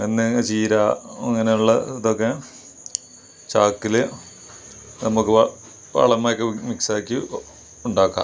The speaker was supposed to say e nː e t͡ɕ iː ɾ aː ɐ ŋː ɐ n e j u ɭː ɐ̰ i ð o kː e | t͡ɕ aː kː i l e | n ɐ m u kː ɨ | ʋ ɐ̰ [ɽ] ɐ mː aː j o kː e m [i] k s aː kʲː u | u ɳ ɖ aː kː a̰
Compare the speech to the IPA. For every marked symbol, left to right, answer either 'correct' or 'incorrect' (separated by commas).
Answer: incorrect, correct